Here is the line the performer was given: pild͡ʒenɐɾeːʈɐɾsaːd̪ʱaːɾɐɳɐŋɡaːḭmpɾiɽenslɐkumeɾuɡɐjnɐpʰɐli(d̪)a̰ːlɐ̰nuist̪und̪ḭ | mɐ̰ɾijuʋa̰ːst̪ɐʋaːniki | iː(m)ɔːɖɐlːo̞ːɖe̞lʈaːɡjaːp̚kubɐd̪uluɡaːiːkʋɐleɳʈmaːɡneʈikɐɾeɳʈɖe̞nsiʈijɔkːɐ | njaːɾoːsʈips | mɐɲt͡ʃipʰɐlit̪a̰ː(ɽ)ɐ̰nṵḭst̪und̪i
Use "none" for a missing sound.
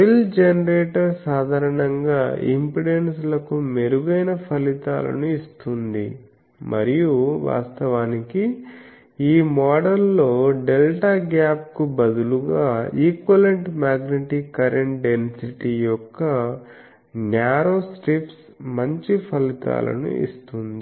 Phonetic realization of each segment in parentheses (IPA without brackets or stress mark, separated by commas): t̪, m, l